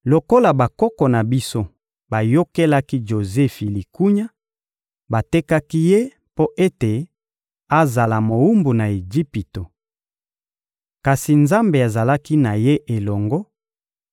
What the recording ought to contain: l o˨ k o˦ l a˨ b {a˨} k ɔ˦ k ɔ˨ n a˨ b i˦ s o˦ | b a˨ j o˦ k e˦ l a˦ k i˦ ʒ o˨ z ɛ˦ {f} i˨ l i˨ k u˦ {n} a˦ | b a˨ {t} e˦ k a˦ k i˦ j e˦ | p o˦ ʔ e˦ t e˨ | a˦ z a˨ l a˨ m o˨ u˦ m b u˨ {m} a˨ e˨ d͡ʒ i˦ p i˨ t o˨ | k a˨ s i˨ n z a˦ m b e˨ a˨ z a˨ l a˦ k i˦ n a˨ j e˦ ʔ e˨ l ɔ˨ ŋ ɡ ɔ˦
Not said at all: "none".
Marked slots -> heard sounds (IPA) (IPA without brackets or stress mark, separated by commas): a˨, f, ɲ, t, n